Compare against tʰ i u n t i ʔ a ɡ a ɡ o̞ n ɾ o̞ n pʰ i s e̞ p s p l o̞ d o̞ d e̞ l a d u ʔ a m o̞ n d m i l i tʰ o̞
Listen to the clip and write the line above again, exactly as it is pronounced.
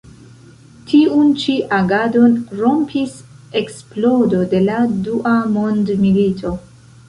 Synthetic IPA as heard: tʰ i u n t͡ʃ i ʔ a ɡ a d o̞ n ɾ o̞ m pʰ i s e̞ k s p l o̞ d o̞ d e̞ l a d u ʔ a m o̞ n d m i l i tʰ o̞

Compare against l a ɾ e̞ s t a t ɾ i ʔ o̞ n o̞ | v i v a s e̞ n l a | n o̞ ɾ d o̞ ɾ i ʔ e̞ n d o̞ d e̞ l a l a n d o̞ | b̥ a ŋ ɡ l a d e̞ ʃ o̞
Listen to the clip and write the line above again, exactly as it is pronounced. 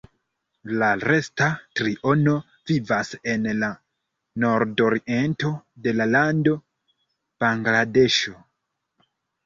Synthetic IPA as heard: l a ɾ e̞ s t a t ɾ i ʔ o̞ n o̞ | v i v a s e̞ n l a | n o̞ ɾ d o̞ ɾ i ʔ e̞ n t o̞ d e̞ l a l a n d o̞ | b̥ a ŋ ɡ l a d e̞ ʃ o̞

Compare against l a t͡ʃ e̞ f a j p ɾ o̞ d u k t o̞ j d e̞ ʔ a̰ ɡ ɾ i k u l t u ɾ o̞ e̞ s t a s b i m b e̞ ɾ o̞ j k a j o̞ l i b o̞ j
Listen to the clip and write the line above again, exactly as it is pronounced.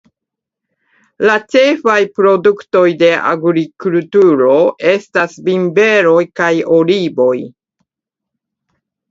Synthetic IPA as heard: l a t͡ʃ e̞ f a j p ɾ o̞ d u k t o̞ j d e̞ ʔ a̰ ɡ ɾ i k u l t u ɾ o̞ e̞ s t a s b i m b e̞ ɾ o̞ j k a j o̞ l i b o̞ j

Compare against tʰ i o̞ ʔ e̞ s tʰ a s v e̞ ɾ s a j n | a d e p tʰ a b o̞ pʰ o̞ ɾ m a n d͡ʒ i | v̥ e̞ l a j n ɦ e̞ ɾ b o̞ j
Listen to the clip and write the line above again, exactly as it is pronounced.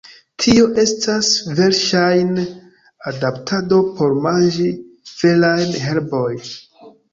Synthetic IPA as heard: tʰ i o̞ ʔ e̞ s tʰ a s v e̞ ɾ ʃ a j n | a d a p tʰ a d o̞ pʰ o̞ ɾ m a n d͡ʒ i | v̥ e̞ l a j n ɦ e̞ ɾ b o̞ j

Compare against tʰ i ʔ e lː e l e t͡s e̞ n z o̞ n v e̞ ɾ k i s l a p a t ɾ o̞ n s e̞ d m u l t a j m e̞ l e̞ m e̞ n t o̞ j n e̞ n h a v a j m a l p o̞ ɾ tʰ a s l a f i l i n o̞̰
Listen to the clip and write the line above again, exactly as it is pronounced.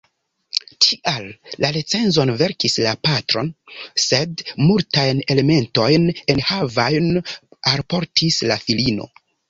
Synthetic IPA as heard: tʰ i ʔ a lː a l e t͡s e̞ n z o̞ n v e̞ ɾ k i s l a p a t ɾ o̞ n s e̞ d m u l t a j n e̞ l e̞ m e̞ n t o̞ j n e̞ n h a v a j n a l p o̞ ɾ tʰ i s l a f i l i n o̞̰

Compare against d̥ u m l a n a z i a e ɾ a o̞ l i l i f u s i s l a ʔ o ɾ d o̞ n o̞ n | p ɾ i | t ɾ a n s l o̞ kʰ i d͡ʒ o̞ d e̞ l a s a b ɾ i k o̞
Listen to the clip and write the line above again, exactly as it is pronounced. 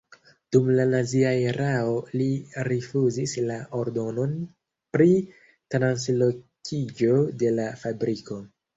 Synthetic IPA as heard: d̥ u m l a n a z i a e ɾ a o̞ l i ɾ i f u z i s l a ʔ o ɾ d o̞ n o̞ n | p ɾ i | t ɾ a n s l o̞ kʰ i d͡ʒ o̞ d e̞ l a f a b ɾ i k o̞

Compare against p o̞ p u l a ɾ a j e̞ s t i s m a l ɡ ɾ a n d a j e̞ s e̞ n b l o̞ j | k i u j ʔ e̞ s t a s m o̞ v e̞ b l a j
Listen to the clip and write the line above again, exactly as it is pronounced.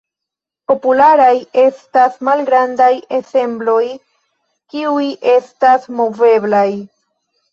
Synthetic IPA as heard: p o̞ p u l a ɾ a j e̞ s t a s m a l ɡ ɾ a n d a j e̞ s e̞ m b l o̞ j | k i u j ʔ e̞ s t a s m o̞ v e̞ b l a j

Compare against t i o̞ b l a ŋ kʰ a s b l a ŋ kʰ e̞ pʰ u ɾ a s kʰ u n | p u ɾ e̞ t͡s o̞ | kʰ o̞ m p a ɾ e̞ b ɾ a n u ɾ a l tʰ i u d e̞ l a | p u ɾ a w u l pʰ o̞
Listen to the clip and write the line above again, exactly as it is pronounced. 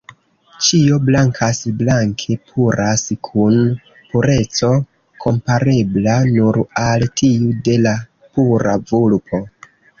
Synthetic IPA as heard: t͡ʃ i o̞ b l a ŋ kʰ a s b l a ŋ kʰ e̞ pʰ u ɾ a s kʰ u n | p u ɾ e̞ t͡s o̞ | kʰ o̞ m p a ɾ e̞ b l a n u ɾ a l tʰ i u d e̞ l a | p u ɾ a v u l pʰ o̞

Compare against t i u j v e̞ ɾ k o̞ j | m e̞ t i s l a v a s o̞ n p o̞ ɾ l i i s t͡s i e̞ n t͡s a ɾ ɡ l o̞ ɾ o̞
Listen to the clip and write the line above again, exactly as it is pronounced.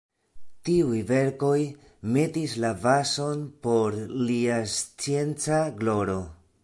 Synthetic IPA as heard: t i u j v e̞ ɾ k o̞ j | m e̞ t i s l a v a s o̞ n p o̞ ɾ l i a s t͡s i e̞ n t͡s a ɡ l o̞ ɾ o̞

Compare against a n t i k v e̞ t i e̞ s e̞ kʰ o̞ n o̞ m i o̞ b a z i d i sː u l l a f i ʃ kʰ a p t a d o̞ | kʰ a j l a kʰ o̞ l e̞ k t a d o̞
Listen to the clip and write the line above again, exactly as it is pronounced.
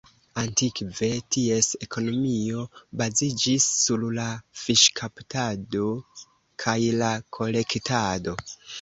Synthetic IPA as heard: a n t i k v e̞ t i e̞ s e̞ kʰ o̞ n o̞ m i o̞ b a z i d͡ʒ i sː u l l a f i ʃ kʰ a p t a d o̞ | kʰ a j l a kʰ o̞ l e̞ k t a d o̞

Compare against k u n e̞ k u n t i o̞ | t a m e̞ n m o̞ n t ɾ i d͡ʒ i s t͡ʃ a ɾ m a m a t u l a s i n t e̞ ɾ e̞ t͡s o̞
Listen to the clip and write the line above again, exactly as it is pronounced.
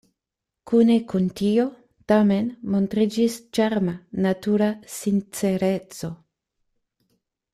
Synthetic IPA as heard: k u n e̞ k u n t i o̞ | t a m e̞ n m o̞ n t ɾ i d͡ʒ i s t͡ʃ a ɾ m a n a t u ɾ a s i n t͡s e̞ ɾ e̞ t͡s o̞

